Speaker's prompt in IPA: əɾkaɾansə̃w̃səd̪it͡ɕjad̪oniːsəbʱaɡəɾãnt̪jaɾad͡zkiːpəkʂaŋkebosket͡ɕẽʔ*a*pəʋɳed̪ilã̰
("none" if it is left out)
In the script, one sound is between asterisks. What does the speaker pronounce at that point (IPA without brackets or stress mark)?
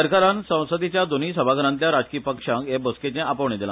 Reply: a